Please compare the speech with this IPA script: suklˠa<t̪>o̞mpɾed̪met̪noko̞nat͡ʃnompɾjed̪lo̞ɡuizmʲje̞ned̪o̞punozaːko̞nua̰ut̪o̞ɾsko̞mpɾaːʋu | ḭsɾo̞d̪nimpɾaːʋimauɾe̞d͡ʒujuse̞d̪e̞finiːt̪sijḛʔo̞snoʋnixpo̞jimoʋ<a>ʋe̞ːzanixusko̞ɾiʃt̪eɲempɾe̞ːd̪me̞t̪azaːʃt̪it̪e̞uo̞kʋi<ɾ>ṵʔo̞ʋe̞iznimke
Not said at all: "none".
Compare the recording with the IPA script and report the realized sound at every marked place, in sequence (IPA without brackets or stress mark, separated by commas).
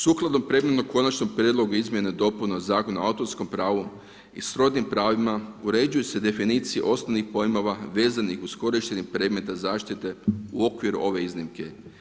d̪, a, ɾ